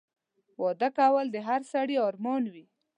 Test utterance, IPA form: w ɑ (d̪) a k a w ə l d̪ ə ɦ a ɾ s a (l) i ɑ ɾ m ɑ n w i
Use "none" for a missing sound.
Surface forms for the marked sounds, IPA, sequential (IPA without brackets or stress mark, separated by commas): d̪, ɽ